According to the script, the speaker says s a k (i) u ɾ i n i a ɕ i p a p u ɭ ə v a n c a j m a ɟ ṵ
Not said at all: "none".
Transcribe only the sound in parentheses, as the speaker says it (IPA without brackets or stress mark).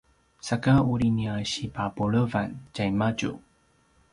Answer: a